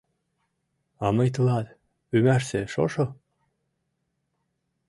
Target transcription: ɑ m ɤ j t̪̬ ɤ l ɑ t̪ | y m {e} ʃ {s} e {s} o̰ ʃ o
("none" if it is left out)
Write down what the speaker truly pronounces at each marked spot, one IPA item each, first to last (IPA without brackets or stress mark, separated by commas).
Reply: æ, s, ʃ